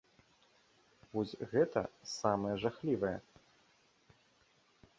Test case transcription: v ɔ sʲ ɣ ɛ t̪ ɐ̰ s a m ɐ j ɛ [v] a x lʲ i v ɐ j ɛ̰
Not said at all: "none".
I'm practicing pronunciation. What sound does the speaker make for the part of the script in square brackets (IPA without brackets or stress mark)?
ʐ